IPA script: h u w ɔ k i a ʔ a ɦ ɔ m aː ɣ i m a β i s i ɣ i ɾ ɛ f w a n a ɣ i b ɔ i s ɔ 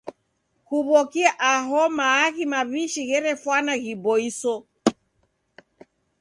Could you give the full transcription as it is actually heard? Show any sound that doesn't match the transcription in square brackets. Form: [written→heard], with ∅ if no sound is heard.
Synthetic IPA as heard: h u [w→β] ɔ k i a ʔ a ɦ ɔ m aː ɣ i m a β i [s→ʃ] i ɣ [i→ɛ] ɾ ɛ f w a n a ɣ i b ɔ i s ɔ